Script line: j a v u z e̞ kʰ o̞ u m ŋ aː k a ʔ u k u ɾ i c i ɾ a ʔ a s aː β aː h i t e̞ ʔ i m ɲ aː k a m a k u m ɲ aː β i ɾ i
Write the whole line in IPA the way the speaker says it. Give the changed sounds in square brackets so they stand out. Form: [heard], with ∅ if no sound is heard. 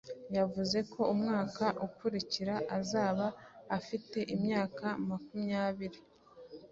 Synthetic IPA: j a v u z e̞ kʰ o̞ u m ŋ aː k a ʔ u k u ɾ i c i ɾ a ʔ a [z] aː β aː [f] i t e̞ ʔ i m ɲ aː k a m a k u m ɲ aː β i ɾ i